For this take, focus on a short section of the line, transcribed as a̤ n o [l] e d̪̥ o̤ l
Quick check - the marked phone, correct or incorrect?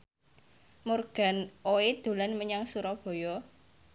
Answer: incorrect